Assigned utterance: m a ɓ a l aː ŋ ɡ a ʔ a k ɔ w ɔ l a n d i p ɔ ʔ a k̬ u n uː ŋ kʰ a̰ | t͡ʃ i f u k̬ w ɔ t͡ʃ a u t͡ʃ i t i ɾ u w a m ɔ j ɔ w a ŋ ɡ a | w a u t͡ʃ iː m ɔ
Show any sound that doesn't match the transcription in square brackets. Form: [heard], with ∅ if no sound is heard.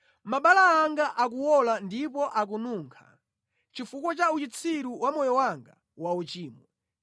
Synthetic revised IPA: m a ɓ a l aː ŋ ɡ a ʔ a k [u] w ɔ l a n d i p ɔ ʔ a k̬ u n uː ŋ kʰ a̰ | t͡ʃ i f u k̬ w ɔ t͡ʃ a u t͡ʃ i [t͡sʰ] i ɾ u w a m ɔ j ɔ w a ŋ ɡ a | w a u t͡ʃ iː m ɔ